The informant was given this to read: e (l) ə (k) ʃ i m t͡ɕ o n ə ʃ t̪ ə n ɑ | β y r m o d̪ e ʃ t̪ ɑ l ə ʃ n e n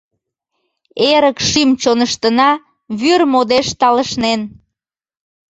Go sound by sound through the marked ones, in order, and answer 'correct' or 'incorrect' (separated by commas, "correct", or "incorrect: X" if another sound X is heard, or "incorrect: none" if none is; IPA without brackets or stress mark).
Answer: incorrect: ɾ, correct